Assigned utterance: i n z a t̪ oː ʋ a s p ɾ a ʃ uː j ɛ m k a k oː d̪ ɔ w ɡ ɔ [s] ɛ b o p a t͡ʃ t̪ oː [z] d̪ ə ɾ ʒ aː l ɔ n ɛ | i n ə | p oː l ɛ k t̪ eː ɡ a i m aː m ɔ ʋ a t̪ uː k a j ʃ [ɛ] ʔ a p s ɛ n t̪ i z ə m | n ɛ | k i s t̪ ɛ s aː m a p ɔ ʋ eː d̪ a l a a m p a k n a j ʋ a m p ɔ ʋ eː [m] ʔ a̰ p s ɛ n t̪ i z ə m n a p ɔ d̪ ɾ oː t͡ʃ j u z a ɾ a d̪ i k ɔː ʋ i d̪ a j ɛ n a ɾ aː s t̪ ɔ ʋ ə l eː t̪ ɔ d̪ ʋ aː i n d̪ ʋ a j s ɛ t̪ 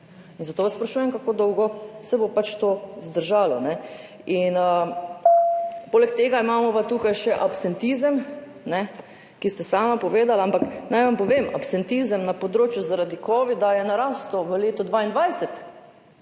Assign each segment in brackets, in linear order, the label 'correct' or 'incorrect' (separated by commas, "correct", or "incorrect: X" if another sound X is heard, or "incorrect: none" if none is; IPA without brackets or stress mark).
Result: correct, correct, correct, correct